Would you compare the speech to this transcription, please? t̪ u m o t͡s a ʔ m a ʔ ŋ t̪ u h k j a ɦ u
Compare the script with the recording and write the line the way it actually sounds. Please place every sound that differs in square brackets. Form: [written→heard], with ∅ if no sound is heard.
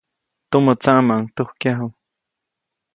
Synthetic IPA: t̪ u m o t͡s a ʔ m a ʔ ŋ t̪ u h k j a ɦ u